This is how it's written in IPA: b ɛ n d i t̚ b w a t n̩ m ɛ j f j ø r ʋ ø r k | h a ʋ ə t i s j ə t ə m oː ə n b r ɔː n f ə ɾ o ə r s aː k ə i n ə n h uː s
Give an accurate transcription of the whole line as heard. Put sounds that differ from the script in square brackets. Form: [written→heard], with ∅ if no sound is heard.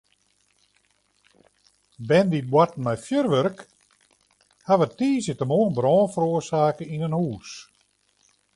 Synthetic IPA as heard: b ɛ n d i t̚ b w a t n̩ m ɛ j f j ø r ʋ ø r k | h a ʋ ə t [i→iː] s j ə t ə m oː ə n b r ɔː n f ə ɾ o ə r s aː k ə i n ə n h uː s